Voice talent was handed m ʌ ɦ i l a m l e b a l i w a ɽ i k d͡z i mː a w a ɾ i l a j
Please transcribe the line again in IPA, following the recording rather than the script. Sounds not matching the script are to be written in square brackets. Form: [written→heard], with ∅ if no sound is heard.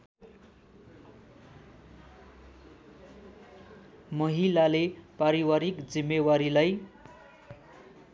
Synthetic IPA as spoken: m ʌ ɦ i l a [m→∅] l e [b→p] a [l→ɾ] i w a [ɽ→ɾ] i k d͡z i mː [a→e] w a ɾ i l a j